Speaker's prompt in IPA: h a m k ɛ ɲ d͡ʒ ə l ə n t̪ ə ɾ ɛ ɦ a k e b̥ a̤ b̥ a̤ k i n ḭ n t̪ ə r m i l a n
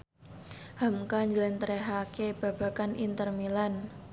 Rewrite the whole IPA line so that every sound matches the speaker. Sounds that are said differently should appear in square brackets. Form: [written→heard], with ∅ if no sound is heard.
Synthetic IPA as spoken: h a m k [ɛ→a] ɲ d͡ʒ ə l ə n t̪ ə ɾ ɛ ɦ a k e b̥ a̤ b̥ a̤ k [i→a] n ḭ n t̪ ə r m i l a n